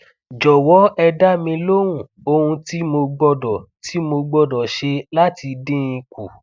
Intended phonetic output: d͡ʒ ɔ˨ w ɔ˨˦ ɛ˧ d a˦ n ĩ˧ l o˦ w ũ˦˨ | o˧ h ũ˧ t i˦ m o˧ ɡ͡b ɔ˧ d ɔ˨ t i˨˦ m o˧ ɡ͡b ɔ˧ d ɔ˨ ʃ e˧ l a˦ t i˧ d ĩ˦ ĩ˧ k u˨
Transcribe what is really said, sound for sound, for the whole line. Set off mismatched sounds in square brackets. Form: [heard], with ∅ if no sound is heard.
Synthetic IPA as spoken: d͡ʒ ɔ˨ w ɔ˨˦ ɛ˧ d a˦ [m] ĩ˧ l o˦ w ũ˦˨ | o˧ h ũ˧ t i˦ m o˧ ɡ͡b ɔ˧ d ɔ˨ t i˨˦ m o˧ ɡ͡b ɔ˧ d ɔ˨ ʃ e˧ l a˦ t i˧ d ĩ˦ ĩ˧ k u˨